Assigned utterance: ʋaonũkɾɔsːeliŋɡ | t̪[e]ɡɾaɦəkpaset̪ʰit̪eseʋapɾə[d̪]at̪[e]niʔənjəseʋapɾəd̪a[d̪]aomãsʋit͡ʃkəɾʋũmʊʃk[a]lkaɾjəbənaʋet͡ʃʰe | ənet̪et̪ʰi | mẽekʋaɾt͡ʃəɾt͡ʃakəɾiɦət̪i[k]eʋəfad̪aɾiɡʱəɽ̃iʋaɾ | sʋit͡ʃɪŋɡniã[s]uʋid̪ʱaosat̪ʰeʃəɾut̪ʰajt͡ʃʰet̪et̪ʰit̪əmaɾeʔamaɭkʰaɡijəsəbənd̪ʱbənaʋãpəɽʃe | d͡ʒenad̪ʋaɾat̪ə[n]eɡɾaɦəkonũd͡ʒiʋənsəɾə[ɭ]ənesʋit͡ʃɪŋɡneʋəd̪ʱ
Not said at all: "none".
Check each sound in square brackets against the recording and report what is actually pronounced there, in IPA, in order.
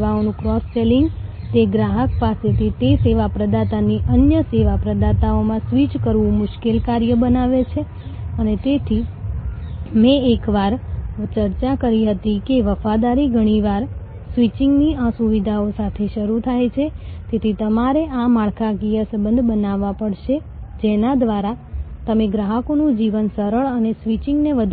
e, d̪, a, t̪, e, k, s, m, ɭ

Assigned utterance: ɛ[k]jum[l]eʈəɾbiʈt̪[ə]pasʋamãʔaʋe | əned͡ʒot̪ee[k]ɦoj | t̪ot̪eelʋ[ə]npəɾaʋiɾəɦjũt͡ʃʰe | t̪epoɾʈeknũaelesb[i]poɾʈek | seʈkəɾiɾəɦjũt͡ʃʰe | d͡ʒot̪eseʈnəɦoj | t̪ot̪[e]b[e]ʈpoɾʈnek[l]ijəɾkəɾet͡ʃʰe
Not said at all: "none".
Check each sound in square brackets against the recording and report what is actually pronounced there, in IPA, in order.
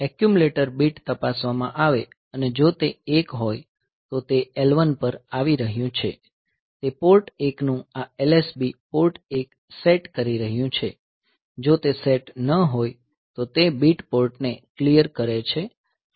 k, l, ə, k, ə, i, e, i, l

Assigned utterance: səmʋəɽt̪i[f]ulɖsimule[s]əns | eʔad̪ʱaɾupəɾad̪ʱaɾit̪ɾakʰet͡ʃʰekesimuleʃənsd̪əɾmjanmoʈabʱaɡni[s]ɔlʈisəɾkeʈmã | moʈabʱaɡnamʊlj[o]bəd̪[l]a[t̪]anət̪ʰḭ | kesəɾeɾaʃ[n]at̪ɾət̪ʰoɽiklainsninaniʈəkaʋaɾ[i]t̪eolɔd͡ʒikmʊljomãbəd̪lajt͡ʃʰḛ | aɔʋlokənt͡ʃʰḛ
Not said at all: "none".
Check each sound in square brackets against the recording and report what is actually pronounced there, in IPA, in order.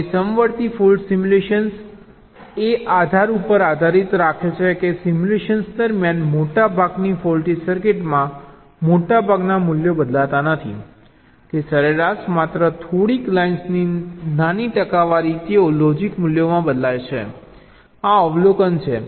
f, ʃ, f, o, l, t̪, m, i

